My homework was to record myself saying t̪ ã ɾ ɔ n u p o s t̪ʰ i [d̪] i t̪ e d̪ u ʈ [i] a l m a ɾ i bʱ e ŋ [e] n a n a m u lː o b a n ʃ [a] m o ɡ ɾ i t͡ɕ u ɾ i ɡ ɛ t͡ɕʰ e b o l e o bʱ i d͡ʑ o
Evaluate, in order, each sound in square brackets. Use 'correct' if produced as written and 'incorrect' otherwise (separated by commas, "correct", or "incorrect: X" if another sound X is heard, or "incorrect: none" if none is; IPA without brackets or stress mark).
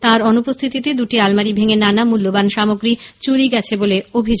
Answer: incorrect: t̪, correct, correct, correct